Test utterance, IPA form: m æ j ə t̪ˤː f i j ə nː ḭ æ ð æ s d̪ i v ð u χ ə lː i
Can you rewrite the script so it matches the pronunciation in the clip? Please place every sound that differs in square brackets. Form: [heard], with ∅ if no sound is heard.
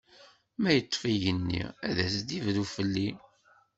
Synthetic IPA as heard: m æ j ə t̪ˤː f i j ə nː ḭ æ ð æ s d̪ i v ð u [f] ə lː i